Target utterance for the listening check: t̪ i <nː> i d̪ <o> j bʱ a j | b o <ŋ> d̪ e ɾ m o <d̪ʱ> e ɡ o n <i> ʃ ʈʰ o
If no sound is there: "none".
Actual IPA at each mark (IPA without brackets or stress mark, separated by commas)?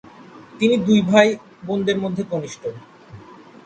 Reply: n, u, n, d̪ʱː, i